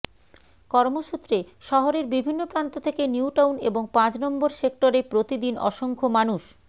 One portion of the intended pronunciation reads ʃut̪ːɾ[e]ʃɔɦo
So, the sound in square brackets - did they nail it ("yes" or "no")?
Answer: yes